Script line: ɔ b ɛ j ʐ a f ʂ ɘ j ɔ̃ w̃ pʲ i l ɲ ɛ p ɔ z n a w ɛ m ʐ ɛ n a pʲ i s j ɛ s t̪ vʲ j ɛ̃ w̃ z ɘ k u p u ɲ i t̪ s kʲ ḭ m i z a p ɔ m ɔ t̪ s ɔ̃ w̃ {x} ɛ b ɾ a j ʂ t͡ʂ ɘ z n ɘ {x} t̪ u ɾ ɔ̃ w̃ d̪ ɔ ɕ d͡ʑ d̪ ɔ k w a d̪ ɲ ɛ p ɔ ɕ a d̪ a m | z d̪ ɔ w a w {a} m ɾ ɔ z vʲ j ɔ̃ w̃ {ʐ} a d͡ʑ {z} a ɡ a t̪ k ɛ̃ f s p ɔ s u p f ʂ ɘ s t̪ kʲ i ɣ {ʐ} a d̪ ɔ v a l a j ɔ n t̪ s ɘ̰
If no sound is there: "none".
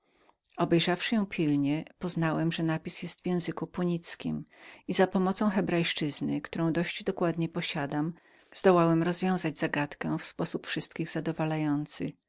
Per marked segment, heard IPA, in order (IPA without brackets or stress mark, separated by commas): x, k, ɛ, z, z, z